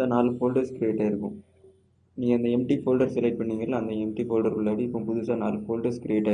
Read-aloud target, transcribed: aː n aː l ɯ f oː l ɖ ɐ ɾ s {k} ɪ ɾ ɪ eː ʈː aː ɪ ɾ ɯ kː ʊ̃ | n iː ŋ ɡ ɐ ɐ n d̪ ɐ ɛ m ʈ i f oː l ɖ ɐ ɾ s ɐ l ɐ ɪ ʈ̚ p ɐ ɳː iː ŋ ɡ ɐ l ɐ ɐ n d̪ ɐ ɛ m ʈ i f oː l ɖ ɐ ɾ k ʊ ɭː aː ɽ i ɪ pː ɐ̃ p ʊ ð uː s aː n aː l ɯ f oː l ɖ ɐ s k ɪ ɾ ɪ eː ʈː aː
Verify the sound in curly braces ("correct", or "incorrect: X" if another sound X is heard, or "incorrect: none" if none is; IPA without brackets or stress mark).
correct